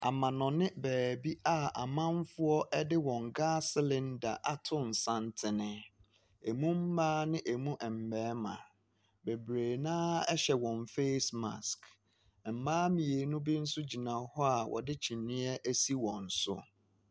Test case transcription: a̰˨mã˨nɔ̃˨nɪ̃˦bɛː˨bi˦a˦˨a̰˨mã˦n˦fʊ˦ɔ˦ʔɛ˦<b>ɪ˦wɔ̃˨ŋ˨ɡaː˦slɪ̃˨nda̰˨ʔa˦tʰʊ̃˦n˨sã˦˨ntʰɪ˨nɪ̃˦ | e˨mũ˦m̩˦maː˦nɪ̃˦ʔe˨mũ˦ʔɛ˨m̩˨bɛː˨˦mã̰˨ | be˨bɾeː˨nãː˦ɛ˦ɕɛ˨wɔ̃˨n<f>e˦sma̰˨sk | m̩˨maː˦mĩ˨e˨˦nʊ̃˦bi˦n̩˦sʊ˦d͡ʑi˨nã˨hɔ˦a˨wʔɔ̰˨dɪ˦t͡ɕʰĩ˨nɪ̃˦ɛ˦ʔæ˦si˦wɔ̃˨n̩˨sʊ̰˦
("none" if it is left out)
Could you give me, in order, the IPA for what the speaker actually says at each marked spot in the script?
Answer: d, f

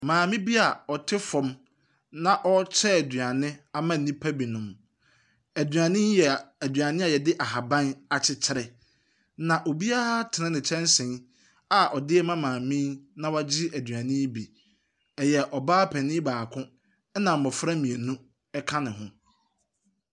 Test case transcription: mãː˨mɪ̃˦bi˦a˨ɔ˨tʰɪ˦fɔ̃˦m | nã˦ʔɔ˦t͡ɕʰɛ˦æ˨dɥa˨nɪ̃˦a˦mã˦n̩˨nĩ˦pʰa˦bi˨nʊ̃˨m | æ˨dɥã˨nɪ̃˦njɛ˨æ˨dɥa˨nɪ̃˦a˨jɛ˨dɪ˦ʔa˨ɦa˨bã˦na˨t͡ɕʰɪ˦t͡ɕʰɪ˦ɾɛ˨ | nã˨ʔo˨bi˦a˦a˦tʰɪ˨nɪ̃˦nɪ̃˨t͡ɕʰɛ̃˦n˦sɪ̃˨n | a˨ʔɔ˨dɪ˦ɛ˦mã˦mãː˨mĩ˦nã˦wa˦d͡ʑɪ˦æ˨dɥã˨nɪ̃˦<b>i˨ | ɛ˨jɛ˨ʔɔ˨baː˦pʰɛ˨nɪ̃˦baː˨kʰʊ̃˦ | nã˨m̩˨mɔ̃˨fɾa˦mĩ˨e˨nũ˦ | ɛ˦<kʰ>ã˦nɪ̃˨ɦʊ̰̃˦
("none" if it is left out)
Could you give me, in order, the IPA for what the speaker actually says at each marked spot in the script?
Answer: b, kʰ

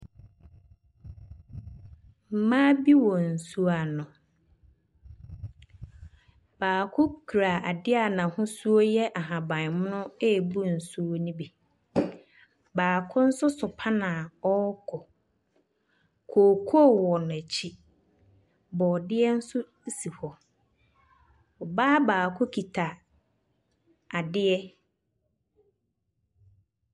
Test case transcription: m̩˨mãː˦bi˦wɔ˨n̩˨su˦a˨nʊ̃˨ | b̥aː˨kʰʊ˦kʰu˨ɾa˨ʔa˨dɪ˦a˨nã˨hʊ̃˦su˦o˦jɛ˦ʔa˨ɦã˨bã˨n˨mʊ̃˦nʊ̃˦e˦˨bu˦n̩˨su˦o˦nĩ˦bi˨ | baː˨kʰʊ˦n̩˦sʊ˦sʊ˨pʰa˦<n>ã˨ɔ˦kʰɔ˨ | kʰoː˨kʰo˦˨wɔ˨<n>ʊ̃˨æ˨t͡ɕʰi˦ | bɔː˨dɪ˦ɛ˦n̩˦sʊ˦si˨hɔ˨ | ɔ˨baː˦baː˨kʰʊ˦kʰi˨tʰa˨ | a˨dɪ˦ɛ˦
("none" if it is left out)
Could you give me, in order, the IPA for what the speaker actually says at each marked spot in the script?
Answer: n, n

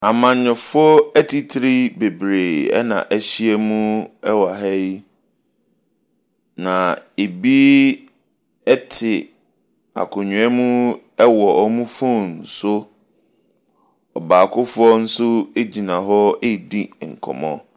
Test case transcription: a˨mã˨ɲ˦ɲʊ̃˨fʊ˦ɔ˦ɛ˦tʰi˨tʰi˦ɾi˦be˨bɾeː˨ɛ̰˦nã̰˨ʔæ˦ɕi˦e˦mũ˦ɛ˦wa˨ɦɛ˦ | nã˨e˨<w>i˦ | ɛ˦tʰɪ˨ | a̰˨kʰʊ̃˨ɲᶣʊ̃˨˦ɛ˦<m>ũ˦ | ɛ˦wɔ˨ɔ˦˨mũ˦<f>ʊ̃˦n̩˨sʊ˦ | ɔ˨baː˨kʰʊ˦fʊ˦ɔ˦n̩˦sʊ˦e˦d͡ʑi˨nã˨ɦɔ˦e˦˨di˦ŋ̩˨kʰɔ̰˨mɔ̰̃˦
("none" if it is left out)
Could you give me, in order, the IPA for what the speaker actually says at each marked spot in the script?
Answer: b, m, f

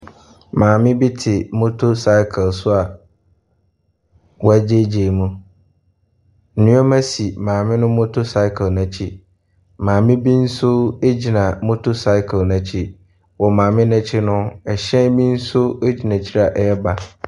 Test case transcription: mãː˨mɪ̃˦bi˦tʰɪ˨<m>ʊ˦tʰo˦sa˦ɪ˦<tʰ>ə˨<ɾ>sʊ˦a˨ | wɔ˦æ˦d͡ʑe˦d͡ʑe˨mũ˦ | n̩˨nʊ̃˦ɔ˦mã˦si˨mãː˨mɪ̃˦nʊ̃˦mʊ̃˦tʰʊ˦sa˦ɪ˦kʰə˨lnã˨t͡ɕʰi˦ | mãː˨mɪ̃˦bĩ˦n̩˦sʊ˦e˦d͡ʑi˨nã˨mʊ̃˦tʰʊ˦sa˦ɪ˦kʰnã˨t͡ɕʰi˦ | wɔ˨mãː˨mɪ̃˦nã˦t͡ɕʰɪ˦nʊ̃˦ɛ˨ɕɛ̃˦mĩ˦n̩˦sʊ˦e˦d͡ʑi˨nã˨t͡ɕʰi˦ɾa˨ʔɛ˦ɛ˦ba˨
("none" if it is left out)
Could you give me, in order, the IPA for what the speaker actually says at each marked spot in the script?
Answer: m, kʰ, l

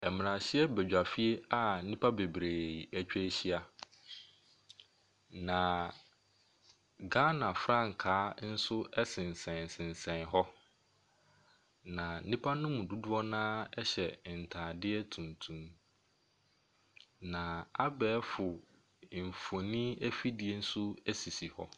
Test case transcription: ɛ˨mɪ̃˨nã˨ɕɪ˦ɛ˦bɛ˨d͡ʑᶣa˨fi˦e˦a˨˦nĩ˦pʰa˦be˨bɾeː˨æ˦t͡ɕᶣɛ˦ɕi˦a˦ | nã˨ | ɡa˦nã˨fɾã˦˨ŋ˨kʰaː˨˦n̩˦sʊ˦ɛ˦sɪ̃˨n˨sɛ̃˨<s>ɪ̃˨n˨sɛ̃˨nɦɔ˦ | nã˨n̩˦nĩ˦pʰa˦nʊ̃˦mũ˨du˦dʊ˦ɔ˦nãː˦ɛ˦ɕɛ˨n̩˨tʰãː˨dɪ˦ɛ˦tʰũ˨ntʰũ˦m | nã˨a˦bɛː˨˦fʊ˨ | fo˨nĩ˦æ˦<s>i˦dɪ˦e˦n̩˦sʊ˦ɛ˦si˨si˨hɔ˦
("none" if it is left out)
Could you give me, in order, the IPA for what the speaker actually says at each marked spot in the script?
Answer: s, f

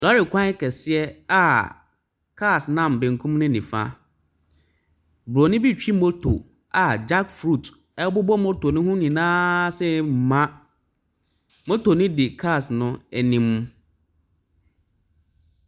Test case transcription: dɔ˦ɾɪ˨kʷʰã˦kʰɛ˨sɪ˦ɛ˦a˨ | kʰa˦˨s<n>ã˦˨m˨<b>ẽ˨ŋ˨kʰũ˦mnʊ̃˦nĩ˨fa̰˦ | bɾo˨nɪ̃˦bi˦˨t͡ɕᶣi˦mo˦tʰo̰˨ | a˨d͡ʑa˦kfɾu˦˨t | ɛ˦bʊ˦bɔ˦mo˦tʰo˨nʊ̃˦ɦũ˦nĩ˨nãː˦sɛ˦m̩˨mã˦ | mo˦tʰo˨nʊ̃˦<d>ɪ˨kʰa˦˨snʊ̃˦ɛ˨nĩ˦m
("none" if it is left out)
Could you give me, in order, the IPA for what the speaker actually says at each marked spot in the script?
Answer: n, b, d

